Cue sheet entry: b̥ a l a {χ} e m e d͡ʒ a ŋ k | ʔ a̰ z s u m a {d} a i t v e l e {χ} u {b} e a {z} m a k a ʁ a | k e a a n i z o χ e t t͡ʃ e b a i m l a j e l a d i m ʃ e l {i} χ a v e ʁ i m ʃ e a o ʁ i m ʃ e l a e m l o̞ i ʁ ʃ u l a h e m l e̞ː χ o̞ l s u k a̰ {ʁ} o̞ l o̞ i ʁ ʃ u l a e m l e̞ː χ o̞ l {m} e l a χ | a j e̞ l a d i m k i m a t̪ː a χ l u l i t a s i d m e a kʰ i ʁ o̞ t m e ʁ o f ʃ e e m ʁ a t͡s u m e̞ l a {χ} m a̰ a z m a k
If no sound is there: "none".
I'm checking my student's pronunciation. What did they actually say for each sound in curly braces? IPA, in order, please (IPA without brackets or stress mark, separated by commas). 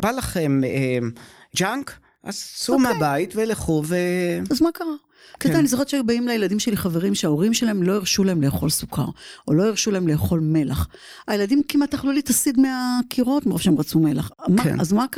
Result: χ, b, χ, v, z, i, ʁ, m, χ